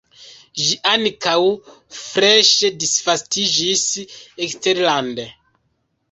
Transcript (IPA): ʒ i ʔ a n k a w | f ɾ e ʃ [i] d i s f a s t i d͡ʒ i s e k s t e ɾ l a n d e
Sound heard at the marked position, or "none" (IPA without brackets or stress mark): e